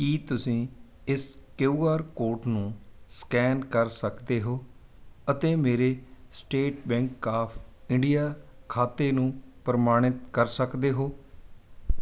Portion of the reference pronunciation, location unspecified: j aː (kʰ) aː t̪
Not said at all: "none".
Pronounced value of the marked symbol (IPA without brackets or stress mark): kʰ